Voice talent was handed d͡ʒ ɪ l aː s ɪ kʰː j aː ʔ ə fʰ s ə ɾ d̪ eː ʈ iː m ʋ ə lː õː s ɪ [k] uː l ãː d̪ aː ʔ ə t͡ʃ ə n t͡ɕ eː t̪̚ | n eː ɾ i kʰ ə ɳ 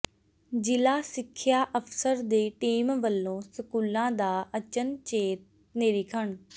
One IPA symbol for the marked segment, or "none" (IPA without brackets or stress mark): k